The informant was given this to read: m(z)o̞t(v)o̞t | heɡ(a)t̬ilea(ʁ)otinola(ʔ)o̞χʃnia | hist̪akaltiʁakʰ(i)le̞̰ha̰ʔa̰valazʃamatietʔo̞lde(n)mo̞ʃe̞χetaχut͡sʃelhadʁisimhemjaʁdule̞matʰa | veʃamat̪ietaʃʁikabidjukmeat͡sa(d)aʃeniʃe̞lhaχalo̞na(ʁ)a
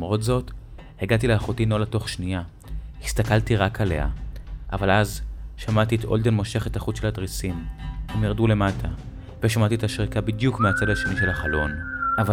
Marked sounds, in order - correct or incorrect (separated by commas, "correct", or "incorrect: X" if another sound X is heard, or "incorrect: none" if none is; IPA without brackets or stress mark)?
incorrect: ʁ, incorrect: z, correct, incorrect: χ, incorrect: t, incorrect: a, correct, correct, incorrect: v